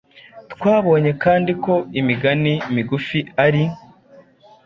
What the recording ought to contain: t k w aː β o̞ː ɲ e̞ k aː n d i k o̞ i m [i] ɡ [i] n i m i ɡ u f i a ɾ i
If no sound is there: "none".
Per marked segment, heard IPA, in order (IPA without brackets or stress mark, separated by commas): i, a